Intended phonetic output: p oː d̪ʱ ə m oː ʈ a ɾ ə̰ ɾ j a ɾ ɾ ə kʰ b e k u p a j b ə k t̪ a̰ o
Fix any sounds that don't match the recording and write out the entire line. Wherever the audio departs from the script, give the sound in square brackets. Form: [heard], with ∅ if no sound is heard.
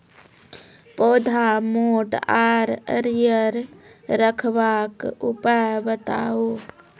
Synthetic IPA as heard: p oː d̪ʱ [a] m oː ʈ a ɾ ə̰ ɾ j [ə] ɾ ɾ ə kʰ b [a] k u p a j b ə [∅] t̪ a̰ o